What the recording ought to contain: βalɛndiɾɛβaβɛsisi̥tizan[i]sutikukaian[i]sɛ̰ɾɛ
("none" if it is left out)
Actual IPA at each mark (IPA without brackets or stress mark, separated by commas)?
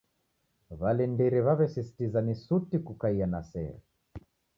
i, a